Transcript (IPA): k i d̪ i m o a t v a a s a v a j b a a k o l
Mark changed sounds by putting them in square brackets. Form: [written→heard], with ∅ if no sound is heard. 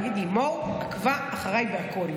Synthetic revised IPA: [k→ɡ] i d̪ i m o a [t→k] v a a [s→χ] a [v→ʁ] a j b [a→e] a k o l